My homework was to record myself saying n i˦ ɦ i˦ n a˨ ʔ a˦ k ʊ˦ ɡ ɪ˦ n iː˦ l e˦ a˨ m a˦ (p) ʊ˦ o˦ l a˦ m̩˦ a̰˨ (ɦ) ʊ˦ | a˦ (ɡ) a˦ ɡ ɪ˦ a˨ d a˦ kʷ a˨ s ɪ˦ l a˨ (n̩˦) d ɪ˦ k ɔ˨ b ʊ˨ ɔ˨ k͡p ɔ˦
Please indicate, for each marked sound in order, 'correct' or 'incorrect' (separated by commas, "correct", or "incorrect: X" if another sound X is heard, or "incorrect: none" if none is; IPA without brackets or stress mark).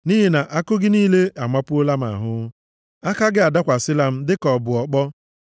correct, correct, incorrect: k, incorrect: m̩˦